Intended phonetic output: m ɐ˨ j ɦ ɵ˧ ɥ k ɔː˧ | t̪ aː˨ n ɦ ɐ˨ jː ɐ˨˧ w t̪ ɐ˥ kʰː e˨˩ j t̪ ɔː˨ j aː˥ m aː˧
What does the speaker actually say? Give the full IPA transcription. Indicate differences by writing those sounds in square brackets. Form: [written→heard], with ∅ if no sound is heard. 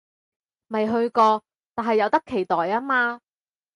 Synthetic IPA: m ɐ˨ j ɦ ɵ˧ ɥ k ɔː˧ | t̪ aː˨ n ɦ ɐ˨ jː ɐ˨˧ w t̪ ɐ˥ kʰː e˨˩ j t̪ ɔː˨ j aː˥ m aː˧